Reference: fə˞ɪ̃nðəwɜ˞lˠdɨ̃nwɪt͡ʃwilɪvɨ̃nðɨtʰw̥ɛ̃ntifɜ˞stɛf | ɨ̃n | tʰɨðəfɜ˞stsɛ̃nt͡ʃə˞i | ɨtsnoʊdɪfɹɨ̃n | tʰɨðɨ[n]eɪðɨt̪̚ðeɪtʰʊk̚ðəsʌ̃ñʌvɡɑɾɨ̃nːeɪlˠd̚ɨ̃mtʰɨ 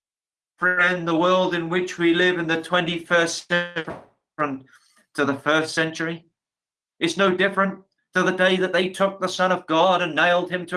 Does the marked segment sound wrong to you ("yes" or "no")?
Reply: yes